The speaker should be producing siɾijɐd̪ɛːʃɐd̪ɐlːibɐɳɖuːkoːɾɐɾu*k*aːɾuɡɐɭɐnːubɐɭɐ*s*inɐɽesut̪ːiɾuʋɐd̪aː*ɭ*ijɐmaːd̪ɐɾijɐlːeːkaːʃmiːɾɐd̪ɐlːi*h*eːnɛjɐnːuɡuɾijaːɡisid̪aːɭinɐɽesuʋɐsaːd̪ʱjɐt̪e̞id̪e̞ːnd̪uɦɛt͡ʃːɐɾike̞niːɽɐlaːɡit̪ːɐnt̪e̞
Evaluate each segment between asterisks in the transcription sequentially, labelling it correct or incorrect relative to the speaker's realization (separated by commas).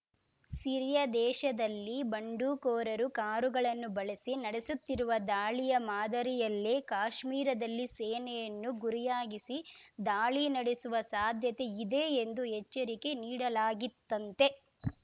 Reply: correct, correct, correct, incorrect